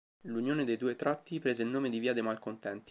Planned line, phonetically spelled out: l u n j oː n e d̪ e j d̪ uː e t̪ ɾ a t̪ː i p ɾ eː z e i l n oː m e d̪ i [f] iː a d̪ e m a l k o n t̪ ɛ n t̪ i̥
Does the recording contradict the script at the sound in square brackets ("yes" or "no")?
yes